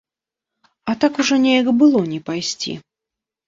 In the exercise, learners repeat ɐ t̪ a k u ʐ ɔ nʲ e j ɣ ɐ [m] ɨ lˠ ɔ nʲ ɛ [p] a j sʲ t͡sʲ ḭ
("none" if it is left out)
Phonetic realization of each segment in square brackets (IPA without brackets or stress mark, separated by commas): b, p